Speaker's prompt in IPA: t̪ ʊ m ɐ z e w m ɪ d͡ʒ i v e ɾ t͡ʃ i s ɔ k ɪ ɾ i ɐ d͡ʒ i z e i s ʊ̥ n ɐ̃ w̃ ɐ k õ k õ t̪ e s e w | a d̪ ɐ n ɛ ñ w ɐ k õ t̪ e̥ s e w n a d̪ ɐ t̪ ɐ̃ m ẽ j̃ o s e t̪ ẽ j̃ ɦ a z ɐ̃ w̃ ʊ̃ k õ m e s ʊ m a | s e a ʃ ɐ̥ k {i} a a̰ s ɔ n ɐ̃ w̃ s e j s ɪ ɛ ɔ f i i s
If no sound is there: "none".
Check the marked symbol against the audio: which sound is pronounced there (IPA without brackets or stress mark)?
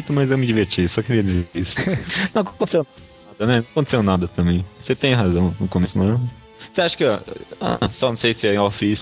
ɪ